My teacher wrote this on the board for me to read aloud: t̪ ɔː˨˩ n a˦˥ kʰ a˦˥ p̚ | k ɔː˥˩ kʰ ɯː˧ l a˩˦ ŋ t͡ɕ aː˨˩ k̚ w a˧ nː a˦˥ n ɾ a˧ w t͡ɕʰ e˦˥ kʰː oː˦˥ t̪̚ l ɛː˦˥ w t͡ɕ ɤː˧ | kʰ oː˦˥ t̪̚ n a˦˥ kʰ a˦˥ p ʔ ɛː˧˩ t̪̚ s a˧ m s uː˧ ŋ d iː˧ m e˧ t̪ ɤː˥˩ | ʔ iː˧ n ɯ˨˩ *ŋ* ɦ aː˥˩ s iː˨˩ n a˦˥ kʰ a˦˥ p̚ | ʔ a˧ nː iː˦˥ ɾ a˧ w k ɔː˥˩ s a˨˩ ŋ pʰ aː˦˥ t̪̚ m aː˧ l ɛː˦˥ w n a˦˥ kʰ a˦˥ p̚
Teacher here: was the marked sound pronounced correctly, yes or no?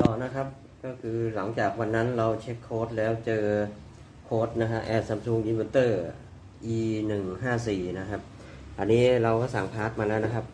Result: yes